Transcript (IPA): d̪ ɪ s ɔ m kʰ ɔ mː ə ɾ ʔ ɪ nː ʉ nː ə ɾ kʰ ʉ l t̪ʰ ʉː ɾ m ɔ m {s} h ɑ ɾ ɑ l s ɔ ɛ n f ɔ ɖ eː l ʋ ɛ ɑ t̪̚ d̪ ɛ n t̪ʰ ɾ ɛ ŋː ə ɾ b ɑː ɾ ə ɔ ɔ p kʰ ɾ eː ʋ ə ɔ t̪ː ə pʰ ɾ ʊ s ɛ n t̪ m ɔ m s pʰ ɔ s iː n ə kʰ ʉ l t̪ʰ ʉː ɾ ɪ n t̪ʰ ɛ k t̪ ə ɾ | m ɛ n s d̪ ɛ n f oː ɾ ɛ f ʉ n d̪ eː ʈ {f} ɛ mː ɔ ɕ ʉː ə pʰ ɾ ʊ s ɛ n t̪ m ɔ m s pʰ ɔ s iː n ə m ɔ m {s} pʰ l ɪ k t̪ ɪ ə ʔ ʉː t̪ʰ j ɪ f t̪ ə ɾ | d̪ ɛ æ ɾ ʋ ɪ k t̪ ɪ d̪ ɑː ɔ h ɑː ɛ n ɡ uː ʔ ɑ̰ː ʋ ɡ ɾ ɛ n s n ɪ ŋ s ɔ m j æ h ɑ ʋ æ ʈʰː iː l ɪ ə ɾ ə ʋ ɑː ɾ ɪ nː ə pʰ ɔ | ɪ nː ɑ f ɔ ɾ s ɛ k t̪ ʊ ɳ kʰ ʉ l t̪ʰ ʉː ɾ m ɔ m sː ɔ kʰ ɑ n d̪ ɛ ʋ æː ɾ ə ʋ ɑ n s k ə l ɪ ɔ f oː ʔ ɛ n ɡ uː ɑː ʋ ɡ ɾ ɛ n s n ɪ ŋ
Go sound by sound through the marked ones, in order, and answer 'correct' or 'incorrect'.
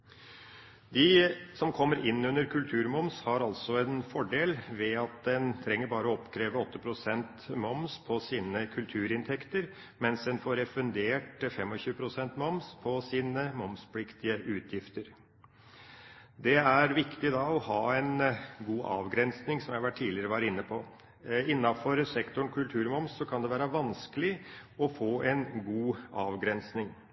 correct, correct, correct

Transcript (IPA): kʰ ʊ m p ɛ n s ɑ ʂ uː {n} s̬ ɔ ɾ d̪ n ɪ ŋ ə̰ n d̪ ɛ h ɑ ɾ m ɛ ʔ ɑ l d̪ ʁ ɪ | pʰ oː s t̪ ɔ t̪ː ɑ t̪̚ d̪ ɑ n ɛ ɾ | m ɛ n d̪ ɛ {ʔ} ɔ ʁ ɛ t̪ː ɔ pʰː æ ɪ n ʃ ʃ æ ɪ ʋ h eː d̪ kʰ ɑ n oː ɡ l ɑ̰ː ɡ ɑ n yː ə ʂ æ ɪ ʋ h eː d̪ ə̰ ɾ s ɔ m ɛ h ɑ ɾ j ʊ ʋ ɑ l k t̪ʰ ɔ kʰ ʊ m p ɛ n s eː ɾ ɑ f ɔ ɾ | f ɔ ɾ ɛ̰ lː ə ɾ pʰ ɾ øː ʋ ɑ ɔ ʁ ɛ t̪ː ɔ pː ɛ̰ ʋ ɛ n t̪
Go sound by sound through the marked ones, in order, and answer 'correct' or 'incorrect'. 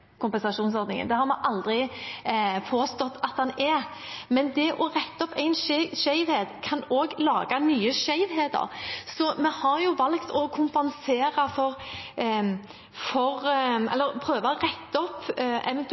correct, correct

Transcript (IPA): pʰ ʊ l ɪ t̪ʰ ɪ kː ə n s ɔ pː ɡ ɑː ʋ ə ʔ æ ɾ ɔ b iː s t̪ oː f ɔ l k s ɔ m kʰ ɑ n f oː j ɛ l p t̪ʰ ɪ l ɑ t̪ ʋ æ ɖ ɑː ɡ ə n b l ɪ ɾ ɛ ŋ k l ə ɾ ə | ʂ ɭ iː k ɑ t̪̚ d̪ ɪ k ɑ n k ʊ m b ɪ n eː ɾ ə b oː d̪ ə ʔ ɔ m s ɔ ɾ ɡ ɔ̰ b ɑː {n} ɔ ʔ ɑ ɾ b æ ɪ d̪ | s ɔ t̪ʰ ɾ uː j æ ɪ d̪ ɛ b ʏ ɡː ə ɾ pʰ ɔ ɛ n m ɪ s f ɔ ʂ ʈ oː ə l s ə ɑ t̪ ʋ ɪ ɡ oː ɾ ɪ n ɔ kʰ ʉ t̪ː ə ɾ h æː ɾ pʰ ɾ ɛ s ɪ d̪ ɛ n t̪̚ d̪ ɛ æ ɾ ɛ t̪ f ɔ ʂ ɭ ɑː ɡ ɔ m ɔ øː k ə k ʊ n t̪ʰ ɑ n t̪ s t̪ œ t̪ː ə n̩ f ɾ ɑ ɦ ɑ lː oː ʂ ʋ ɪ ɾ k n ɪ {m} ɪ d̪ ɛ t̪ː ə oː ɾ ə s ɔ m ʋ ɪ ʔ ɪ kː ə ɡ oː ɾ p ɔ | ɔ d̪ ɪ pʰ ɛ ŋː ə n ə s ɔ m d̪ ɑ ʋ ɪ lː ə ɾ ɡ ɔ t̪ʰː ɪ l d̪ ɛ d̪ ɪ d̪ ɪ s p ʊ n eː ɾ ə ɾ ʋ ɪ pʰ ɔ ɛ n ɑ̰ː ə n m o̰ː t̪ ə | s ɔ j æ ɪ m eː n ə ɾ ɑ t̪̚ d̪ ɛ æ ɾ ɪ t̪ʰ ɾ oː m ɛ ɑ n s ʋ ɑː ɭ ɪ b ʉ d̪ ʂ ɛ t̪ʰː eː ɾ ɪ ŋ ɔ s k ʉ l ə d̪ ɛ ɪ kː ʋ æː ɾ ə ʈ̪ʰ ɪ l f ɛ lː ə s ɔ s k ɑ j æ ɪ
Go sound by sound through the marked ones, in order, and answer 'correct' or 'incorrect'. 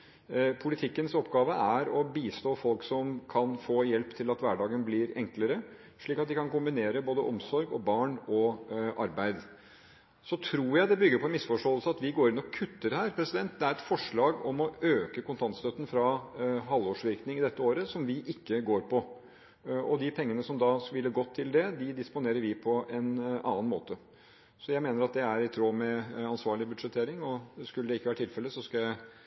incorrect, incorrect

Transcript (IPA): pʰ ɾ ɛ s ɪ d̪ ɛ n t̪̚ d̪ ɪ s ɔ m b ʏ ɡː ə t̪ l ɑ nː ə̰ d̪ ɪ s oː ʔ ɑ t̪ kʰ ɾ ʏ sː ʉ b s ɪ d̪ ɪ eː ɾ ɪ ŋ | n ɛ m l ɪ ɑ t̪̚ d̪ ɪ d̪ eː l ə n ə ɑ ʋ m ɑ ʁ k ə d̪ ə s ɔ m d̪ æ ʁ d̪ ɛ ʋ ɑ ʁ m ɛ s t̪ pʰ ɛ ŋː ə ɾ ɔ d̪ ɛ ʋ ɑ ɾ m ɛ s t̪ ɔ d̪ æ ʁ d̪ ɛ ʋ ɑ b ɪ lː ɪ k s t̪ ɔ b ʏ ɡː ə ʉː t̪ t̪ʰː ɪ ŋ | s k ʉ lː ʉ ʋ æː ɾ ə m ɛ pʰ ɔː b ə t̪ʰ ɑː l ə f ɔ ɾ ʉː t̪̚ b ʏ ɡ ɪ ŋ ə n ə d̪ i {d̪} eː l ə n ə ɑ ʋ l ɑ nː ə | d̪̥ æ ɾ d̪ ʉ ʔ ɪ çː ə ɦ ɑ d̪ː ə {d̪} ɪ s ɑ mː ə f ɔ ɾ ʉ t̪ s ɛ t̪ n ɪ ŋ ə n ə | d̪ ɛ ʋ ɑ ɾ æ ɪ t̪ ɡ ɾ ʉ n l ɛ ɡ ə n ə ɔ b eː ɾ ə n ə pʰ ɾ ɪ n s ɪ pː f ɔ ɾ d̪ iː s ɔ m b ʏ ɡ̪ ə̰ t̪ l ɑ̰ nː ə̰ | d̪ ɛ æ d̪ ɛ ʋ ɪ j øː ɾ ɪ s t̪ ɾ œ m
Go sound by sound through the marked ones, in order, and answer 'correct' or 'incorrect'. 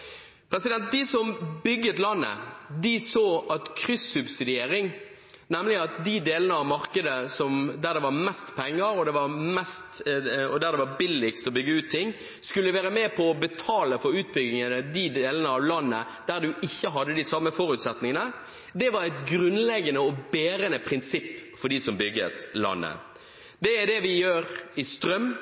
correct, correct

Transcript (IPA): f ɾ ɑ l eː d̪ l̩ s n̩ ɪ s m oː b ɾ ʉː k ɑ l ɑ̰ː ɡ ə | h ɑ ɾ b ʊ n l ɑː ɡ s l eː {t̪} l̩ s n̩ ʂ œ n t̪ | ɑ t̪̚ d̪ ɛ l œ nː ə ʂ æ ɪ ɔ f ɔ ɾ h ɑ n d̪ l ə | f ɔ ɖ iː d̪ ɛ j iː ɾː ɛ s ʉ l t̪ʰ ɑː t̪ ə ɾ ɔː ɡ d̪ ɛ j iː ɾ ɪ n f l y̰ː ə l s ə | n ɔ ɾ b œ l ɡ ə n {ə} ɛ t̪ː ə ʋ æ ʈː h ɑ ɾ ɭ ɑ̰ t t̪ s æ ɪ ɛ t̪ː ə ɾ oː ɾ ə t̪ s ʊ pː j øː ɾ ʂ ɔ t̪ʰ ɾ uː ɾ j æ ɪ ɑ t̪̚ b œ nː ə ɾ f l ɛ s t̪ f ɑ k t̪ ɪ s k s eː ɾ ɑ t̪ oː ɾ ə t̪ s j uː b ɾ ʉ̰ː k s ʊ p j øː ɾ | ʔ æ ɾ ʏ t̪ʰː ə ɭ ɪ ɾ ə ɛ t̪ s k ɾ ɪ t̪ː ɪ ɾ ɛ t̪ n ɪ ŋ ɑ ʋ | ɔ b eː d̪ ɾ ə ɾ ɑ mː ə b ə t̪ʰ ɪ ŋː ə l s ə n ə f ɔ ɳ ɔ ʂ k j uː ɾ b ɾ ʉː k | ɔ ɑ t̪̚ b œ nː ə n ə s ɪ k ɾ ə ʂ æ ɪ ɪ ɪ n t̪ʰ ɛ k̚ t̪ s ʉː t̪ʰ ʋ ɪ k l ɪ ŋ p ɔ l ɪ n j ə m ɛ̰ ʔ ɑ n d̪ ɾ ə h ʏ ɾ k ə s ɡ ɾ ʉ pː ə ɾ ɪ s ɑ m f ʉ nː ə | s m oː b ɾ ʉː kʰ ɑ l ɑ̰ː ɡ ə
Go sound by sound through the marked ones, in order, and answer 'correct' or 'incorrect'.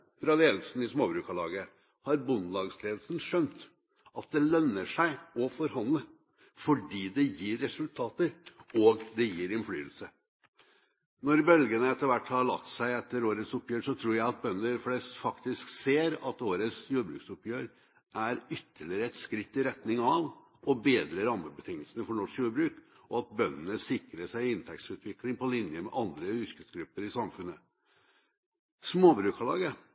incorrect, correct

